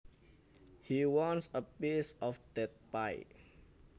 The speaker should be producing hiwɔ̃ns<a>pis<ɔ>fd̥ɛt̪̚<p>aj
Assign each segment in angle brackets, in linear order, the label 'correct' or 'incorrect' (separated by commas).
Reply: incorrect, correct, correct